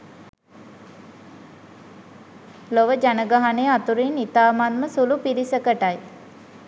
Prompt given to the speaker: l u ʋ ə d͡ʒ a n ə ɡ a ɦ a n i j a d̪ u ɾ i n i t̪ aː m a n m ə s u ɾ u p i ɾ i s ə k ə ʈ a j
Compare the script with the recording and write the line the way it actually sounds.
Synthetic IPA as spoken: l o ʋ ə d͡ʒ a n ə ɡ a ɦ a n e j a t̪ u ɾ i n i t̪ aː m a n m ə s u l u p i ɾ i s ə k ə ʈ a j